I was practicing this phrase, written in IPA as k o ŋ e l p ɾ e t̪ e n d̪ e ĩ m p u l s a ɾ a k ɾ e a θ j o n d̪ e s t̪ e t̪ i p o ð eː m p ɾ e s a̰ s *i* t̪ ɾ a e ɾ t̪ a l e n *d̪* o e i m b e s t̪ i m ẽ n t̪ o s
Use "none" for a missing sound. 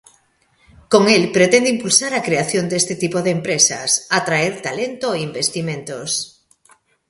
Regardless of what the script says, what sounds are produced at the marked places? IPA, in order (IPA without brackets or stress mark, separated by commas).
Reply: a, t̪